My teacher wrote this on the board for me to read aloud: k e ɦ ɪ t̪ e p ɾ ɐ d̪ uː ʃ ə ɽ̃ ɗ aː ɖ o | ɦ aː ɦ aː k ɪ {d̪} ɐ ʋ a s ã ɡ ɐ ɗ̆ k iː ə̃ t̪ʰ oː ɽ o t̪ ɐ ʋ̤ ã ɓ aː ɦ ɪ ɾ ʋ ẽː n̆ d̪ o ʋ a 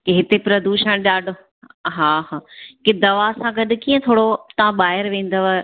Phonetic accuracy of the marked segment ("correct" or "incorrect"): correct